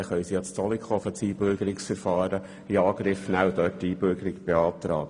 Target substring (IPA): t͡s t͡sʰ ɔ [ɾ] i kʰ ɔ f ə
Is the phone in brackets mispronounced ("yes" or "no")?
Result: yes